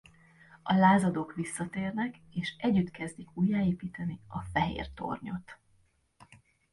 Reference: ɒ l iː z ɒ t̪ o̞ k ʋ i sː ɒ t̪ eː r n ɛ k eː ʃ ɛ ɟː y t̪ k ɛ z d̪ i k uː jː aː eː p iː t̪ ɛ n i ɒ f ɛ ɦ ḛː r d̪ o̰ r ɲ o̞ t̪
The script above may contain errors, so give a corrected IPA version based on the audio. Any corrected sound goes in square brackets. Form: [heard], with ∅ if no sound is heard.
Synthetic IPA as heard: ɒ l [aː] z ɒ [d̪] o̞ k ʋ i sː ɒ t̪ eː r n ɛ k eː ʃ ɛ ɟː y t̪ k ɛ z d̪ i k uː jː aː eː p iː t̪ ɛ n i ɒ f ɛ ɦ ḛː r [t̪] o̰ r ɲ o̞ t̪